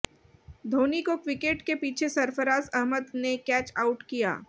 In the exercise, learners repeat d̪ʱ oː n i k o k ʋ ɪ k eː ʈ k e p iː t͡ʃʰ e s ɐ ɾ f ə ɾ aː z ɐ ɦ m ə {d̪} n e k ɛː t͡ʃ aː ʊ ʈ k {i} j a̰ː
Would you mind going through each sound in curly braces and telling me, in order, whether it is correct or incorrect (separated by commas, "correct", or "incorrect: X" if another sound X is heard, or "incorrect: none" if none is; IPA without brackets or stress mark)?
correct, correct